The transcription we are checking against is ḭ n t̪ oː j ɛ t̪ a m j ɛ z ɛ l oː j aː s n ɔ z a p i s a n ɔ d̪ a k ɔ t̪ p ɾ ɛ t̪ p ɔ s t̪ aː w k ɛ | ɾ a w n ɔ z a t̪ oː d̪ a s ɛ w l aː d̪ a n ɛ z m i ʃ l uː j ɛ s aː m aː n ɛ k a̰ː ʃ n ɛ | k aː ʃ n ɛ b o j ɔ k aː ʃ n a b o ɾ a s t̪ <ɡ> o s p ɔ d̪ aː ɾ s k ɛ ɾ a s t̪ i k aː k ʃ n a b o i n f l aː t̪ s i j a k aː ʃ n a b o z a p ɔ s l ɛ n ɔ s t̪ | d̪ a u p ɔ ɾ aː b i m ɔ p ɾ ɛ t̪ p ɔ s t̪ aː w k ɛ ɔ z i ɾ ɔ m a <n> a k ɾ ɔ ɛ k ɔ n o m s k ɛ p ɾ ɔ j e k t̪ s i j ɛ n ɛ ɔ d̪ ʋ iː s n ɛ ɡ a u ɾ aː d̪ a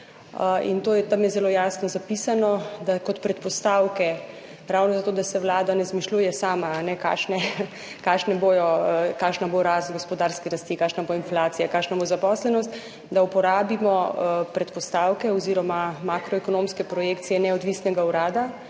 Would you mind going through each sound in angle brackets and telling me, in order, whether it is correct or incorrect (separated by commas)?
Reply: correct, incorrect